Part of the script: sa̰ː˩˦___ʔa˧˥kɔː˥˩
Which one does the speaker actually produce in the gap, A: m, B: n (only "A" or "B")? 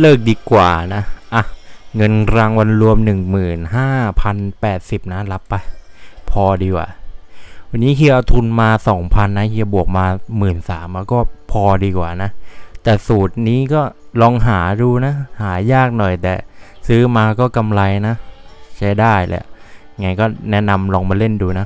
A